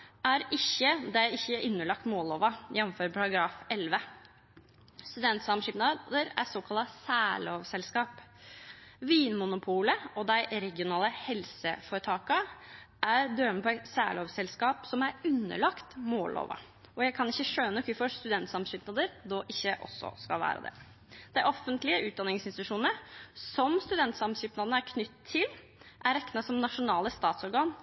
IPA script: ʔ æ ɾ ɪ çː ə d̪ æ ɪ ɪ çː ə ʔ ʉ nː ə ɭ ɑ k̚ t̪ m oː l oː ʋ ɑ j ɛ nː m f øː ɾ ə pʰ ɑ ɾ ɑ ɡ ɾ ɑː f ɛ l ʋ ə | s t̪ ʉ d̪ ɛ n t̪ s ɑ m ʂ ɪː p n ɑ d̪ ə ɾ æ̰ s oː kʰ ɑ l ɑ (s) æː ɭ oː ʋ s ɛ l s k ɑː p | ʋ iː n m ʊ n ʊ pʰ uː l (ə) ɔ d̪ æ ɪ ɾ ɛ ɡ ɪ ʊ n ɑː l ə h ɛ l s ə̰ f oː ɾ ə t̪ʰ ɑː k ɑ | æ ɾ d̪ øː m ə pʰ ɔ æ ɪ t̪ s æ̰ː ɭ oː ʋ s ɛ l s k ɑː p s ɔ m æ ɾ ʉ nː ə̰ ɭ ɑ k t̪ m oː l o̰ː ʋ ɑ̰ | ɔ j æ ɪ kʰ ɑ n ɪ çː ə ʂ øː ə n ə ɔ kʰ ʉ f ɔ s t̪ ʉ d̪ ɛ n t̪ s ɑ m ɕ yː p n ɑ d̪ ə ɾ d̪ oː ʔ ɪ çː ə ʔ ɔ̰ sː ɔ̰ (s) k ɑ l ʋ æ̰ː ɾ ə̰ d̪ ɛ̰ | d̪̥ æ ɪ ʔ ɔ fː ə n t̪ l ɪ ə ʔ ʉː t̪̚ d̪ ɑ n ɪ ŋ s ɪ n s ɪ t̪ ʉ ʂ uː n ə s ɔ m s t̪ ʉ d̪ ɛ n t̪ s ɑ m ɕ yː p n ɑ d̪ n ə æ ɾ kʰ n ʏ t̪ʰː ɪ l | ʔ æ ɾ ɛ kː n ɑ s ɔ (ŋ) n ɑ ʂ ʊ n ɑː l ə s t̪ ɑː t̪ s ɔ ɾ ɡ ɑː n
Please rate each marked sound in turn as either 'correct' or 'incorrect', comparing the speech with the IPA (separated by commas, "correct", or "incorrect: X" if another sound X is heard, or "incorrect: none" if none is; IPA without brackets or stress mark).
correct, correct, correct, incorrect: m